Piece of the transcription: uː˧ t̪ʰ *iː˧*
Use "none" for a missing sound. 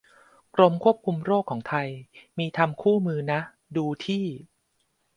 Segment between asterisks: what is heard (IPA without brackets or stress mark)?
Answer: iː˥˩